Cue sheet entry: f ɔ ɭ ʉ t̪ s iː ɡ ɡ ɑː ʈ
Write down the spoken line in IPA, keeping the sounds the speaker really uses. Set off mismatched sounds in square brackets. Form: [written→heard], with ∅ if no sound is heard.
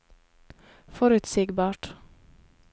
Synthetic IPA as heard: f ɔ [ɭ→ɾ] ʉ t̪ s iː ɡ [ɡ→b] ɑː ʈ